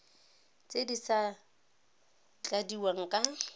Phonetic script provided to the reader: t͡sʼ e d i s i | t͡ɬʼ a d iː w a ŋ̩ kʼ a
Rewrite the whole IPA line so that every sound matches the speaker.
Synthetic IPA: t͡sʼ e d i s a | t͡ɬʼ a d i w a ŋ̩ kʼ a